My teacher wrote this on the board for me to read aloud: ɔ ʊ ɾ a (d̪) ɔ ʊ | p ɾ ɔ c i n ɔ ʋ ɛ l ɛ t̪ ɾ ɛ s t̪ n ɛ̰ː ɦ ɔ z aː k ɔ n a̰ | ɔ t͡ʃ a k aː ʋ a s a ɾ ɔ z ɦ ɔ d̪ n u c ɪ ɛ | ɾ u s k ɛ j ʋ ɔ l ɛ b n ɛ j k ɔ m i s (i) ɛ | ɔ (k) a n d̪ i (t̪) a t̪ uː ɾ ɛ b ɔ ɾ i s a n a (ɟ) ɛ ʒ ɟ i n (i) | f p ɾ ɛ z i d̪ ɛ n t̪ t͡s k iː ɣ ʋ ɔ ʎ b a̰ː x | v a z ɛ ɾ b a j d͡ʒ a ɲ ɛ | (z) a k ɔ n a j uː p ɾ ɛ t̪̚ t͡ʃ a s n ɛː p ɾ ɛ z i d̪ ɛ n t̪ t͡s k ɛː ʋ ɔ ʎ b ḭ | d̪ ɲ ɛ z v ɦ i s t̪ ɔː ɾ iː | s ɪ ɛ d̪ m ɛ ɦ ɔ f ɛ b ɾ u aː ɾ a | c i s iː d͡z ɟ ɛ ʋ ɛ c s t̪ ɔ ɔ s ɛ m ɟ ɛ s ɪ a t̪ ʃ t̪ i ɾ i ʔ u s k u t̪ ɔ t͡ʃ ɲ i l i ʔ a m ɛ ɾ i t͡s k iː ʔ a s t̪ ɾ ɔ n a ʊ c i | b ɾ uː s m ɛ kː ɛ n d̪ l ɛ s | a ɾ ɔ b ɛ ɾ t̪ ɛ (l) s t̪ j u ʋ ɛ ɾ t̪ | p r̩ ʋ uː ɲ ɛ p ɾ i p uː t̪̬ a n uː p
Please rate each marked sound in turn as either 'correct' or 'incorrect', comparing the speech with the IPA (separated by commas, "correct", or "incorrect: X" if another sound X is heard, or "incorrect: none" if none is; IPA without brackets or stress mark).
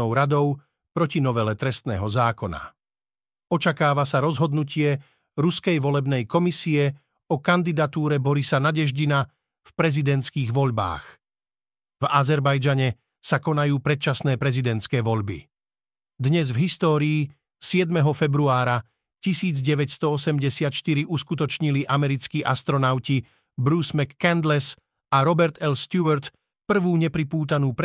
correct, correct, correct, incorrect: d̪, correct, incorrect: a, incorrect: s, correct